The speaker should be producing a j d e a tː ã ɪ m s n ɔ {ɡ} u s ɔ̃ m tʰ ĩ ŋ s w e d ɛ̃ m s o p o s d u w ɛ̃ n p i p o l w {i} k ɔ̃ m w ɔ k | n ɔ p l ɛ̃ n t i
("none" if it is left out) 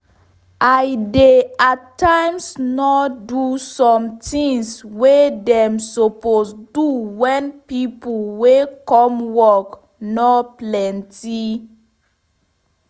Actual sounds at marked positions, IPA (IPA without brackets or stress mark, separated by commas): d, e